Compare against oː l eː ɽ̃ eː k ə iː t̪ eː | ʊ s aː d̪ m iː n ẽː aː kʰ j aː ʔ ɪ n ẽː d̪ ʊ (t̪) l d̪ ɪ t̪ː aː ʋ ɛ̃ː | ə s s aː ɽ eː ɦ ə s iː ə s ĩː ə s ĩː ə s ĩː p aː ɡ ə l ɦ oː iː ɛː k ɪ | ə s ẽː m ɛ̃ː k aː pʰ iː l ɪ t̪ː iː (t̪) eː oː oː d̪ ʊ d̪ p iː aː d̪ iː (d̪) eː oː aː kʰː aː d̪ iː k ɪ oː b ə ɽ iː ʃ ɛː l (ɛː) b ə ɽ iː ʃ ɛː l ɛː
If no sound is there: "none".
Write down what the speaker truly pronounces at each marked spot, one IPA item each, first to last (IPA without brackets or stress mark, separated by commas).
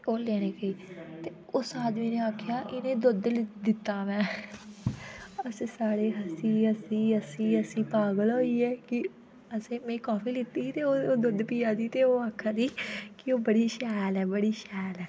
d̪, t̪, t̪, ɛː